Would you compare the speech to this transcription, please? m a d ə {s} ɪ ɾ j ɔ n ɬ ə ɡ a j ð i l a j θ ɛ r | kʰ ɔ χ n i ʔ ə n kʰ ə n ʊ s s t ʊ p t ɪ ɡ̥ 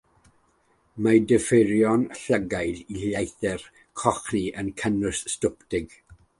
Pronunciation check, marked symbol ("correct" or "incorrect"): incorrect